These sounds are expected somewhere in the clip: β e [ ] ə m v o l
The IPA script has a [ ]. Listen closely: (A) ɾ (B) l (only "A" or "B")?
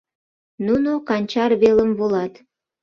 B